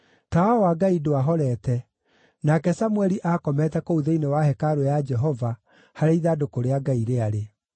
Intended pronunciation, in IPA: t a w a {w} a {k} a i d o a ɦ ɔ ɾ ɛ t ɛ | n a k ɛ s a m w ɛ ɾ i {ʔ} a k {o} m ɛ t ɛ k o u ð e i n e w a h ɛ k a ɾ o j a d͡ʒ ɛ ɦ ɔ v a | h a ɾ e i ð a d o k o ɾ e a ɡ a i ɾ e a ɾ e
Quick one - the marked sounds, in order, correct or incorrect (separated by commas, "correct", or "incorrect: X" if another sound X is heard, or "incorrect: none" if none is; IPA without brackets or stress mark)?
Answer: correct, incorrect: ɡ, correct, incorrect: ɔ